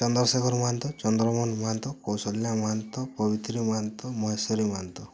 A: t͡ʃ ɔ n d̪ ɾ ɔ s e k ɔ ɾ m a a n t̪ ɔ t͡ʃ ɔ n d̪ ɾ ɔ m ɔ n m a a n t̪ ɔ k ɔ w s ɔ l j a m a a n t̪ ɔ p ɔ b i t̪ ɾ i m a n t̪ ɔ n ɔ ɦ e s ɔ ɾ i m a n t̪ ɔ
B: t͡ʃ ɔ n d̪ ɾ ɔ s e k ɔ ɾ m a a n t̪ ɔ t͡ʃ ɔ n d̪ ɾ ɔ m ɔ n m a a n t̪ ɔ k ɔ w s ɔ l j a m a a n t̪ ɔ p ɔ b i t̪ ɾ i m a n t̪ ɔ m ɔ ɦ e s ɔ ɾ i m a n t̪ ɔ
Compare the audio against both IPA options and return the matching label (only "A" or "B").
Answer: B